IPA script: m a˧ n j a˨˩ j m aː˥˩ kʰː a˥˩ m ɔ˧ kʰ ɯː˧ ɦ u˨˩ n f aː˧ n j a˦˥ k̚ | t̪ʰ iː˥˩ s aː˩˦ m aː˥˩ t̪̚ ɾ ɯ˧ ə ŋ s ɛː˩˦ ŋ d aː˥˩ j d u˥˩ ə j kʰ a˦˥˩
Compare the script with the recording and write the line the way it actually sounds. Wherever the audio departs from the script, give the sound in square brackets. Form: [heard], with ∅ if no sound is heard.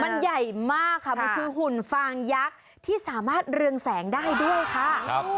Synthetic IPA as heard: m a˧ n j a˨˩ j m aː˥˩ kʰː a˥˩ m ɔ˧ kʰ ɯː˧ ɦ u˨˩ n f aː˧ [ŋ] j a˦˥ k̚ | t̪ʰ iː˥˩ s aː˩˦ m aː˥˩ t̪̚ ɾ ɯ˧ ə ŋ s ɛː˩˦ ŋ d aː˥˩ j d u˥˩ ə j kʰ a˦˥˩